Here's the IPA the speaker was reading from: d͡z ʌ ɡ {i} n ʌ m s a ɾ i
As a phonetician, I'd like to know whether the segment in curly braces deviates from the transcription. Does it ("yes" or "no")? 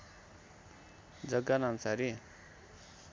yes